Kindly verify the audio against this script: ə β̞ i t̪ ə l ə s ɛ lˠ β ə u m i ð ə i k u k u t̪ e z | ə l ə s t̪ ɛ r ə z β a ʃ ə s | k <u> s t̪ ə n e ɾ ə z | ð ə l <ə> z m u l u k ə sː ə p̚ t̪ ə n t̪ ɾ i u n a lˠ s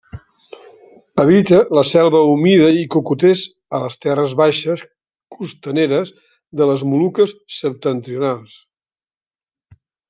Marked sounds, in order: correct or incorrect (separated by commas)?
correct, correct